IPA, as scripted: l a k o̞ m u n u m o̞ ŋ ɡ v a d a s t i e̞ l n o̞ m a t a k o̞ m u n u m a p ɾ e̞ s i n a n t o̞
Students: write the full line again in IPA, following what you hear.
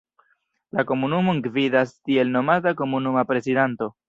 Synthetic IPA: l a k o̞ m u n u m o̞ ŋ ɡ v i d a s t i e̞ l n o̞ m a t a k o̞ m u n u m a p ɾ e̞ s i d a n t o̞